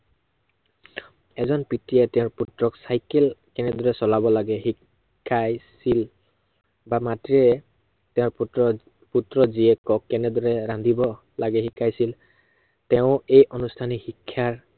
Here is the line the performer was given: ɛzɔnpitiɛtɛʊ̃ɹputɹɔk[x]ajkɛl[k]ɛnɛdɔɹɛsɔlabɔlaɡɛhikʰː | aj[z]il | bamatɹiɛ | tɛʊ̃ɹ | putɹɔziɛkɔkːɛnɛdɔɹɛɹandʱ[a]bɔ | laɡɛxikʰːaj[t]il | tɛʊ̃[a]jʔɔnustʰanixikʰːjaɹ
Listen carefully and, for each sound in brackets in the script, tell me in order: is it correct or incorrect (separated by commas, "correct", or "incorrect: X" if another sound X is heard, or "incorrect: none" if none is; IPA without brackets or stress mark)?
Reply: incorrect: s, correct, incorrect: s, incorrect: i, incorrect: s, incorrect: e